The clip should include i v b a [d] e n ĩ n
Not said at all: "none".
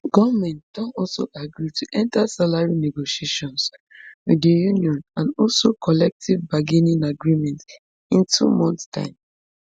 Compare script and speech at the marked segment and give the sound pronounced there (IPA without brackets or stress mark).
ɡ